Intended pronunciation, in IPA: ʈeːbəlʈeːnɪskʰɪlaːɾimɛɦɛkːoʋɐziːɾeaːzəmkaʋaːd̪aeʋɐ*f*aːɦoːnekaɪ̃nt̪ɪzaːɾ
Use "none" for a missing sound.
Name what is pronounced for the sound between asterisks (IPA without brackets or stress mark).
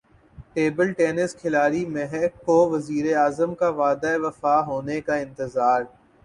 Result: f